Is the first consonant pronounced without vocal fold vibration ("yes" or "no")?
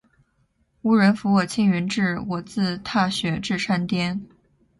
no